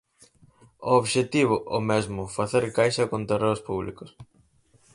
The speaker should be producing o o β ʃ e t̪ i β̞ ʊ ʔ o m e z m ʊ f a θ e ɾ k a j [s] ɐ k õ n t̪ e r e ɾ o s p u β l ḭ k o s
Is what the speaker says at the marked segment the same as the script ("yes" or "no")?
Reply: no